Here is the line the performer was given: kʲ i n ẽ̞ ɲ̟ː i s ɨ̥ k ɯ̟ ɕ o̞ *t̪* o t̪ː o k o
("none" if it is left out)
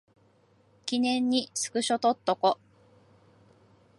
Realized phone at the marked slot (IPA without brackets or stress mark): t̪